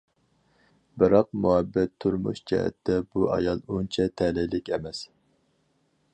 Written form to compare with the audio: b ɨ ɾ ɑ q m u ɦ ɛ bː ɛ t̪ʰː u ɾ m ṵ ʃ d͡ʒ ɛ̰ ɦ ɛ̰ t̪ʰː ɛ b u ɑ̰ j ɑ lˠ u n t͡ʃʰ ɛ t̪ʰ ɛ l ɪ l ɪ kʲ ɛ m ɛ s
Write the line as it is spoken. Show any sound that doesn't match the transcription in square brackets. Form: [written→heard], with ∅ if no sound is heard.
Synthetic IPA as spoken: b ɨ ɾ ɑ q m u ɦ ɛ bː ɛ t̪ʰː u ɾ m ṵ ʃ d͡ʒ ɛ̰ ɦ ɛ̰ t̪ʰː ɛ b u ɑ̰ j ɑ lˠ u n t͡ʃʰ ɛ t̪ʰ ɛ l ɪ l ɪ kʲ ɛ m ɛ s